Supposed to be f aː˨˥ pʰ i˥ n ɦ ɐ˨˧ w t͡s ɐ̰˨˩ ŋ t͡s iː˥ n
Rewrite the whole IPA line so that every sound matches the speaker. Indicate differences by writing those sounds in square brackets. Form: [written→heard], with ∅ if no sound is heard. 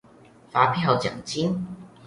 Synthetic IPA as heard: f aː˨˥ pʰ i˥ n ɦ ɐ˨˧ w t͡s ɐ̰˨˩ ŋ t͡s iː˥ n